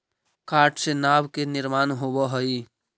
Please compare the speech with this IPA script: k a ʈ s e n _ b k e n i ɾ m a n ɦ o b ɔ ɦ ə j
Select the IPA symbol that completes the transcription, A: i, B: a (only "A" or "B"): B